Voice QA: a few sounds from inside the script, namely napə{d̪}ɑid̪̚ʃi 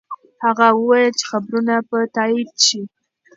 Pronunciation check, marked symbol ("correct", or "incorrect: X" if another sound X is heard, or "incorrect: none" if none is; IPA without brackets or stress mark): incorrect: t̪